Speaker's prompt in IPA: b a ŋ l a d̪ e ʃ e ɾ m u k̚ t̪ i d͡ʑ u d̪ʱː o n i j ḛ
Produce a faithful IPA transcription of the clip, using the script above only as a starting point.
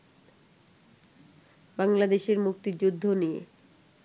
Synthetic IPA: b a ŋ l a d̪ e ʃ e ɾ m u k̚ t̪ i d͡ʑ u d̪ʱː o n i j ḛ